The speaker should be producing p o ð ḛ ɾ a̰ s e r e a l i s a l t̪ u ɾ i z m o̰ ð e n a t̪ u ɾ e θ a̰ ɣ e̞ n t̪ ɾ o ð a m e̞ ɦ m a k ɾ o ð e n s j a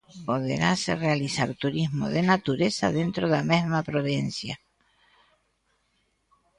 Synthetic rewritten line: p o ð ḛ ɾ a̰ s e r e a l i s a ɾ t̪ u ɾ i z m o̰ ð e n a t̪ u ɾ e s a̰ ð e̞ n t̪ ɾ o ð a m e̞ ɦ m a p ɾ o ð e n s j a